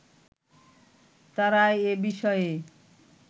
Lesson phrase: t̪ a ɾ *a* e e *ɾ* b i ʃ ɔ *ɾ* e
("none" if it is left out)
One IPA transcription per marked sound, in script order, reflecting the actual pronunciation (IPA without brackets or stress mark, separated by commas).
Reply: a, none, none